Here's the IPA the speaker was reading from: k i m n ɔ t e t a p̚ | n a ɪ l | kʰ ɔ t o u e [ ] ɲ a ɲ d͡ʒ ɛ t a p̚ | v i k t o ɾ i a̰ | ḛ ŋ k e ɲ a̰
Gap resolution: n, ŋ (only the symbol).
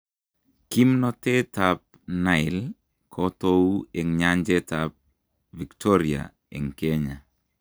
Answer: ŋ